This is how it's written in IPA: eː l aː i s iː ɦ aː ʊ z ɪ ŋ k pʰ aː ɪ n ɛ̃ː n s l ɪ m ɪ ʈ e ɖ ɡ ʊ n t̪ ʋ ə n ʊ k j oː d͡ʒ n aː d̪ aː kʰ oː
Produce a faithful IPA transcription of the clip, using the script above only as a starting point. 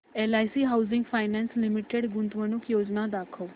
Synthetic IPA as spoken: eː l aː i s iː ɦ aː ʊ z ɪ ŋ ɡ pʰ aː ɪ n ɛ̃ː n s l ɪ m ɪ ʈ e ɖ ɡ ʊ n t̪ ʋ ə n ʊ k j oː d͡ʒ n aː d̪ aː kʰ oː